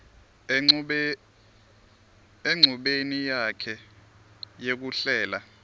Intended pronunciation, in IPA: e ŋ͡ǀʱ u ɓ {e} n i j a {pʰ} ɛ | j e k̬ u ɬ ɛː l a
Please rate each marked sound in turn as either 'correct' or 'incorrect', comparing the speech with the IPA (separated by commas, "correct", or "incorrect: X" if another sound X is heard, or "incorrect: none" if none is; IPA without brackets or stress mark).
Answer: correct, incorrect: kʰ